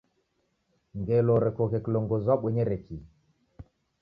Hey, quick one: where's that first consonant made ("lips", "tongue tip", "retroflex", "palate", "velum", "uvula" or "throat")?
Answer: velum